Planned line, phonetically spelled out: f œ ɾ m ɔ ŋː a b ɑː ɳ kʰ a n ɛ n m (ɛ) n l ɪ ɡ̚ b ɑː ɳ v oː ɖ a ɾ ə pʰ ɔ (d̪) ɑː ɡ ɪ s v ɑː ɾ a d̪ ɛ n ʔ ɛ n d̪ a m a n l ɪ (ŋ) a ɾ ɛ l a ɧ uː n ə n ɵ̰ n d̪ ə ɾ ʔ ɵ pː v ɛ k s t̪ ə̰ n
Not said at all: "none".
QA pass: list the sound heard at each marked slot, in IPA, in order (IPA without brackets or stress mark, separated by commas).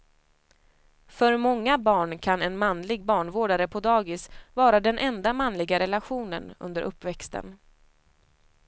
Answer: a, d̪, ɡ